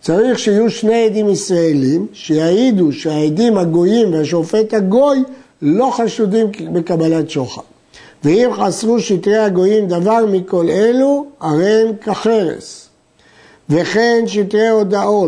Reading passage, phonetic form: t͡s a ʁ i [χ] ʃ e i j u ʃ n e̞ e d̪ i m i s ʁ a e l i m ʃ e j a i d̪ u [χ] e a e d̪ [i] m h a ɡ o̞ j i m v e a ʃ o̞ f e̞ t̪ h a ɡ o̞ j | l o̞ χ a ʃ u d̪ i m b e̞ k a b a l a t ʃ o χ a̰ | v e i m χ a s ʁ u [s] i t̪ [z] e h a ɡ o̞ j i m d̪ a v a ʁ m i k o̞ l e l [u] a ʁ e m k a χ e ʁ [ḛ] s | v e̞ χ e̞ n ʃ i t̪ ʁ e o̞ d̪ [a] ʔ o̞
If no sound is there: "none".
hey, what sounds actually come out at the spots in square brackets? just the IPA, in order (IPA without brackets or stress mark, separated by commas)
χ, ʃ, i, ʃ, ʁ, u, ḛ, a